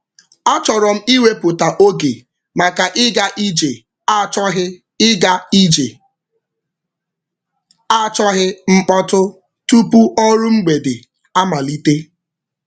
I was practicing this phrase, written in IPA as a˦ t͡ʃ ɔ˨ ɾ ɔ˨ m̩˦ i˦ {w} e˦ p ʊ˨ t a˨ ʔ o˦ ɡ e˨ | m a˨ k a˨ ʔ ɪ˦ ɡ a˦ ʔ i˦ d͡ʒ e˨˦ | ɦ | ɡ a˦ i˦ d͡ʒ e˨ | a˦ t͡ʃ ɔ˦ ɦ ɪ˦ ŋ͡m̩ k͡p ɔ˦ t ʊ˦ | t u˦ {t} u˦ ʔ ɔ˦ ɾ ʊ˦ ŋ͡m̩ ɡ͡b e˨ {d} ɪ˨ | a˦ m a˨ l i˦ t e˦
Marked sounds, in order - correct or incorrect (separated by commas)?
correct, incorrect, correct